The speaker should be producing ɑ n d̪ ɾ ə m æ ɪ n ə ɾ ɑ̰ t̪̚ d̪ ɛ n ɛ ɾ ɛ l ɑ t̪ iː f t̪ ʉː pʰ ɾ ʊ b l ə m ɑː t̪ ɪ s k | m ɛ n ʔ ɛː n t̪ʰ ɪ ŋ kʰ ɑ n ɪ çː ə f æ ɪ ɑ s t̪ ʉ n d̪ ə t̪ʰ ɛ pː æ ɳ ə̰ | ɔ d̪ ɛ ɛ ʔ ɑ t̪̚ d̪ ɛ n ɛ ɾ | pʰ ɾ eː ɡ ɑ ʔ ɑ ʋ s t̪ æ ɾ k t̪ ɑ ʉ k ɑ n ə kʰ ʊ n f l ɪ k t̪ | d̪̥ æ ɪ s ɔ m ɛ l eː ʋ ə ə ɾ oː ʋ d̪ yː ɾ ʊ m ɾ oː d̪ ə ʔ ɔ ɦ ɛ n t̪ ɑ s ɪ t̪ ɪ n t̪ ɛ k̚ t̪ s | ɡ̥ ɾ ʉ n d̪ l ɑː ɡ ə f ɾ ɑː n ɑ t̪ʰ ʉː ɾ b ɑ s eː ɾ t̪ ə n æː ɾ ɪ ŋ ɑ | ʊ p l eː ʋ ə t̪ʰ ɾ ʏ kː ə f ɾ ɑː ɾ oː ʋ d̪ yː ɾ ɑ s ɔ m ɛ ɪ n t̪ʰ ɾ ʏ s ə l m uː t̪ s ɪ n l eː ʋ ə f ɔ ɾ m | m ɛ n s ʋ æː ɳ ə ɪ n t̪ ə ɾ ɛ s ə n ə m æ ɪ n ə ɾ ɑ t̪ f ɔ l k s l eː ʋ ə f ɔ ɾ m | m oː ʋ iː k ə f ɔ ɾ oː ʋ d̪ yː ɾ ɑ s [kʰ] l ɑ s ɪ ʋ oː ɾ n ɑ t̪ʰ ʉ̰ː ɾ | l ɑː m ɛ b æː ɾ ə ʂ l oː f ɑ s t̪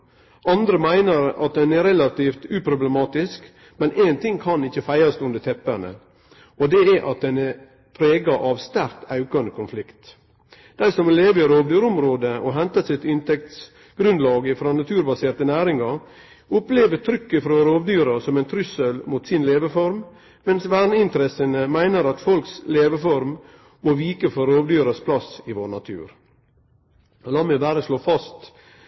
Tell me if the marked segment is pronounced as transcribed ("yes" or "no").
no